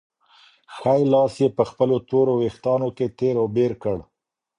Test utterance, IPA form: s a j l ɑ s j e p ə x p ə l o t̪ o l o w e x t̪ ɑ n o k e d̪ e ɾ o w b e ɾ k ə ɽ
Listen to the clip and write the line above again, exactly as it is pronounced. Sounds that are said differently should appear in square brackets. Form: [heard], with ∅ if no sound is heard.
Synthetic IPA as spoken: [x] a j l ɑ s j e p ə x p ə l o t̪ o [ɾ] o w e x t̪ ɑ n o k e [t̪] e ɾ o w b e ɾ k ə ɽ